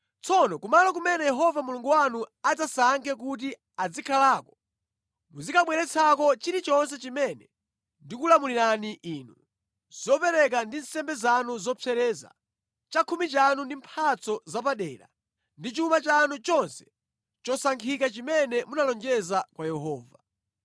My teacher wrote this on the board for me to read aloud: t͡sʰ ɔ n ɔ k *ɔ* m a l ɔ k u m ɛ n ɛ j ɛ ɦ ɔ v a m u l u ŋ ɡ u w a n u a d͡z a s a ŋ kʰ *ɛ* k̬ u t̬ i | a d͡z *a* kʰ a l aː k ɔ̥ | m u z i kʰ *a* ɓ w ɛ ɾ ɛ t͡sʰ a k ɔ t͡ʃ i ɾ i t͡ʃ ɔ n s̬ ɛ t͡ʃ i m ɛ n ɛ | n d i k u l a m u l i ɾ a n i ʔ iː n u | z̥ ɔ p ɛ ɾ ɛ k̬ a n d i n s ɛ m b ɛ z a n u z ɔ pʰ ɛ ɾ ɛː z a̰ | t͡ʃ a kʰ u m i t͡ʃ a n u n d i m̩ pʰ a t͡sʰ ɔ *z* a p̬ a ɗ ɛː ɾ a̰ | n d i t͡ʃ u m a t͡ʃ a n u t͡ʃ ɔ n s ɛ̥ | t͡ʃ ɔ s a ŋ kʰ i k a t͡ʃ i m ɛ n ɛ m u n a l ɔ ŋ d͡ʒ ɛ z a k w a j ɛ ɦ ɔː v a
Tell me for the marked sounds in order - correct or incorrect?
incorrect: u, correct, incorrect: i, correct, correct

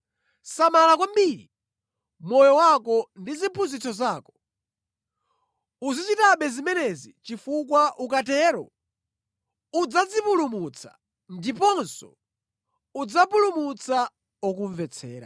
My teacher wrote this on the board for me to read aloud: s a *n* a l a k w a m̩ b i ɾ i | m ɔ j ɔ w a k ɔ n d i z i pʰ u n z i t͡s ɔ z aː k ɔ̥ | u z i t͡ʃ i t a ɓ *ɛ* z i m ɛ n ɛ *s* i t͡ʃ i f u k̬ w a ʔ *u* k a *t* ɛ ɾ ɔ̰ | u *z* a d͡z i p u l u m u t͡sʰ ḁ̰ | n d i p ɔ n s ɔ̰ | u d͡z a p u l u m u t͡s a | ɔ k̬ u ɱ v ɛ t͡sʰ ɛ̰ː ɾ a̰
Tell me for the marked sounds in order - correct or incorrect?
incorrect: m, correct, incorrect: z, correct, correct, incorrect: d͡z

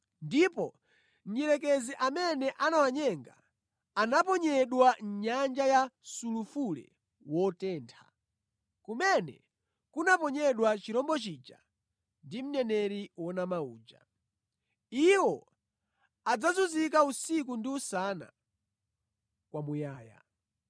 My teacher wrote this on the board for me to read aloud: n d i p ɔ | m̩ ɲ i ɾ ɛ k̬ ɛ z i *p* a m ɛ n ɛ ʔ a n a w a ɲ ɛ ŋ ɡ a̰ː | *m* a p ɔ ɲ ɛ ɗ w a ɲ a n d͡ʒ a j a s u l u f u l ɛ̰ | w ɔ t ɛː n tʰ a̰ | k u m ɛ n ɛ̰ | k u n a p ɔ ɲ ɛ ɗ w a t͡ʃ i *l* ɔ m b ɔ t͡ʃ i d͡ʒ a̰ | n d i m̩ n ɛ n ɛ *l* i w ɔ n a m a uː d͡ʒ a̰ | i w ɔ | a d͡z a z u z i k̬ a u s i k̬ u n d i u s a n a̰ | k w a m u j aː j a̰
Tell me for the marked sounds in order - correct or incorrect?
incorrect: ʔ, incorrect: n, incorrect: ɾ, incorrect: ɾ

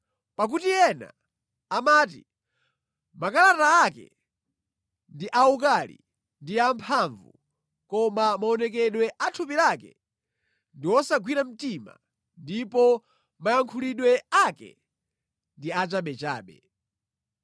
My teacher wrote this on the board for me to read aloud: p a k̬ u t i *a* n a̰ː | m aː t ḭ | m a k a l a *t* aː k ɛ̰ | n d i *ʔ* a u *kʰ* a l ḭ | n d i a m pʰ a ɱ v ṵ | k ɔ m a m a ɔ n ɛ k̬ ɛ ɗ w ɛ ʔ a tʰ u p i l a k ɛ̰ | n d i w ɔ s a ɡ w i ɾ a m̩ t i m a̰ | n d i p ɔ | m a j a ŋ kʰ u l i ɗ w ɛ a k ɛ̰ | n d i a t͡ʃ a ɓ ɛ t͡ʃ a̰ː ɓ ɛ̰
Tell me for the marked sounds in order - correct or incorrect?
incorrect: ɛ, correct, correct, incorrect: k

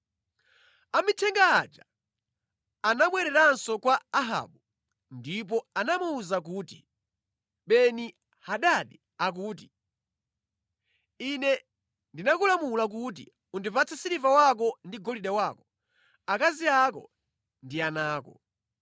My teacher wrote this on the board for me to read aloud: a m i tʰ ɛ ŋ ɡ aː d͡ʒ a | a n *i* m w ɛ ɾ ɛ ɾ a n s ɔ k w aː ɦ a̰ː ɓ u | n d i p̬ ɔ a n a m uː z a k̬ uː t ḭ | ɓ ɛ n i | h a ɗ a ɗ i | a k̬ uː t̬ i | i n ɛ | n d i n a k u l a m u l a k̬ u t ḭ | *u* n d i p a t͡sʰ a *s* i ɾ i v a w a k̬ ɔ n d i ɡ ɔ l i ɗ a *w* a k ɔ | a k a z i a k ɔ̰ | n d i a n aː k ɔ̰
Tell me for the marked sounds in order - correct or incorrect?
incorrect: a, correct, correct, correct

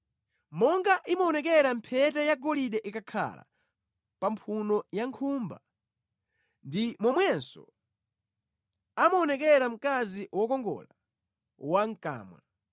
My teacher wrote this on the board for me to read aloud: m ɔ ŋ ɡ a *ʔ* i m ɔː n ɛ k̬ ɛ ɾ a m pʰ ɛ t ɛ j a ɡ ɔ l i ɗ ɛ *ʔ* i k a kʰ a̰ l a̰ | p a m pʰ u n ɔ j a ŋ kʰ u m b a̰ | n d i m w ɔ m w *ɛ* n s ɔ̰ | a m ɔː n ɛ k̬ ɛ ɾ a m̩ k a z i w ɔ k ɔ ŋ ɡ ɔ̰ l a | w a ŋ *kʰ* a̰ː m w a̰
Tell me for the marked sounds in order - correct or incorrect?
correct, correct, correct, incorrect: k

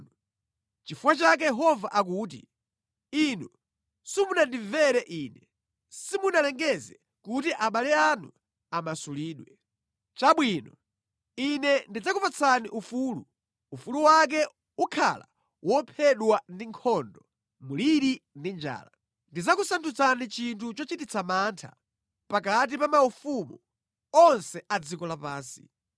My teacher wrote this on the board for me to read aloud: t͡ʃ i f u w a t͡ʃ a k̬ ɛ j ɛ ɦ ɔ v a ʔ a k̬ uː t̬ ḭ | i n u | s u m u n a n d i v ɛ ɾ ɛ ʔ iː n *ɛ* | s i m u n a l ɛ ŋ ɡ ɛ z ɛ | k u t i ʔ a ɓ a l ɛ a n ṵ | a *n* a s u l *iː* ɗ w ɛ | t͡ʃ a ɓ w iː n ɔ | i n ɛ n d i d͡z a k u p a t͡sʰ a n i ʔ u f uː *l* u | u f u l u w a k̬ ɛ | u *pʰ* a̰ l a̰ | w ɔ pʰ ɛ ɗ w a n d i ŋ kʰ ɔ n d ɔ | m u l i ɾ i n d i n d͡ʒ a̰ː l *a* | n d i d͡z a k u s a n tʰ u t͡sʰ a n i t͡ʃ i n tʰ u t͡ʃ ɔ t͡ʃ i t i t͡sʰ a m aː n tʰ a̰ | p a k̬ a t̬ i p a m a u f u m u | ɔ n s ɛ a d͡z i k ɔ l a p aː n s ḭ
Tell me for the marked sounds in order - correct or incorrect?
correct, incorrect: m, correct, correct, incorrect: kʰ, correct

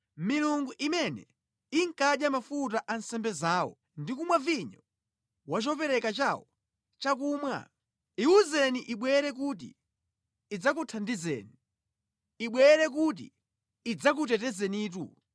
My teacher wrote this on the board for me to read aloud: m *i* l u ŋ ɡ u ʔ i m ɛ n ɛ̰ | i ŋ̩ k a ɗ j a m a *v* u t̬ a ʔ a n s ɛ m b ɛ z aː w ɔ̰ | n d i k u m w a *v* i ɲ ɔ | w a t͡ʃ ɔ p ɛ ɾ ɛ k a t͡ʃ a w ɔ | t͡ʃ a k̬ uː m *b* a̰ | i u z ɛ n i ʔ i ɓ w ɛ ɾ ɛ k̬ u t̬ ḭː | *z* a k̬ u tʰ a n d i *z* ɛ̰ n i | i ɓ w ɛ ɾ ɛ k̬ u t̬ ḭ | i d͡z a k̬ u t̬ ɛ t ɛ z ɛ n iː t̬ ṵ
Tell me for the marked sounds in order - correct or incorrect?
correct, incorrect: f, correct, incorrect: w, incorrect: d͡z, correct

